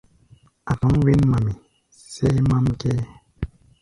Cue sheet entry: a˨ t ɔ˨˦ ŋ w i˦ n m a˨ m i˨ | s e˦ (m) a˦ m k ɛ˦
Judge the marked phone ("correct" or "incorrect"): correct